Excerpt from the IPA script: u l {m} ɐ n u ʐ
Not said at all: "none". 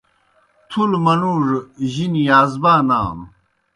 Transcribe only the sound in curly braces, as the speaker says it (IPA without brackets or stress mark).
m